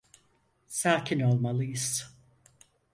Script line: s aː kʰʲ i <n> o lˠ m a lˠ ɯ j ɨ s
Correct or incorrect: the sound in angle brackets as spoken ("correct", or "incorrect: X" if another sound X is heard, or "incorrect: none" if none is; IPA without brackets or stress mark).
correct